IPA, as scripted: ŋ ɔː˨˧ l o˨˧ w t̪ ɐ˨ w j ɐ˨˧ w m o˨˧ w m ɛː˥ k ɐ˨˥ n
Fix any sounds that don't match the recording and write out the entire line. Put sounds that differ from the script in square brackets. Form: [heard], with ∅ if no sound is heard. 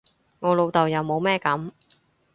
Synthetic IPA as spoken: ŋ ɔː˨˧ l o˨˧ w t̪ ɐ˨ w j ɐ˨˧ w m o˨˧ w m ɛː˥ k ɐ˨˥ [m]